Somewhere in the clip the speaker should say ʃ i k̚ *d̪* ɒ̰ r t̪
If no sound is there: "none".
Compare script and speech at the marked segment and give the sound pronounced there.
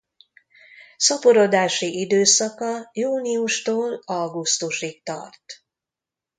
t̪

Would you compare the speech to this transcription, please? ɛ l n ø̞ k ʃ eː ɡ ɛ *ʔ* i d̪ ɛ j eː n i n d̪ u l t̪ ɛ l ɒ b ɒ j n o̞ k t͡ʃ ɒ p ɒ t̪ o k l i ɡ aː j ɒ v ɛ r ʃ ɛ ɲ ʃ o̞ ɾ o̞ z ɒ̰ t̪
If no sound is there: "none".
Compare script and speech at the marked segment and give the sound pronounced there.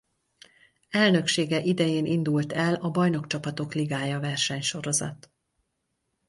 ʔ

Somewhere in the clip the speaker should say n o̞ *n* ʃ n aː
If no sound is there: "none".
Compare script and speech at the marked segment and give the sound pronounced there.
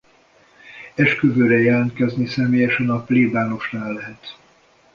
none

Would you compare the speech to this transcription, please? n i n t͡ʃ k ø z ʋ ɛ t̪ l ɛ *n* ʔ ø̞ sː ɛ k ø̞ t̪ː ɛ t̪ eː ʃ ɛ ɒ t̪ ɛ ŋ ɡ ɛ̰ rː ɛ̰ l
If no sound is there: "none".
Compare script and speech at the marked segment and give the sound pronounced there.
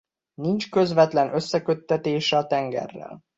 n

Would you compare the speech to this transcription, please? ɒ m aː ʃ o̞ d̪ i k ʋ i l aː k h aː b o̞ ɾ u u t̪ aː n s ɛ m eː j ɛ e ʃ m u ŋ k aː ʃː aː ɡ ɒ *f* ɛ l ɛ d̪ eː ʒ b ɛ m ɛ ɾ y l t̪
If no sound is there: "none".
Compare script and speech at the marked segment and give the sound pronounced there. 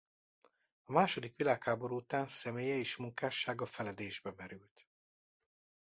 f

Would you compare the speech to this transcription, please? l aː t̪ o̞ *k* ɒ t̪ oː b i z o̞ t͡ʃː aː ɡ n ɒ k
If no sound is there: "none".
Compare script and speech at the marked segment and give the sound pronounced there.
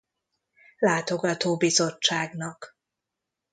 ɡ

